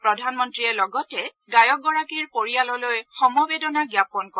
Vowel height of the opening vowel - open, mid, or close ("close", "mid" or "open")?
mid